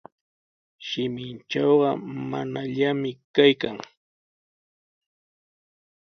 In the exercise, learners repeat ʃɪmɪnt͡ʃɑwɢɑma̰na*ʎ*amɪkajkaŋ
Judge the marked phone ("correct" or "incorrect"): correct